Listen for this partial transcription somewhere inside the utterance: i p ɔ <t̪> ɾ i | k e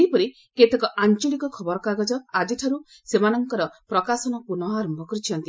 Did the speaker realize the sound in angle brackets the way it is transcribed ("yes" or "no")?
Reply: no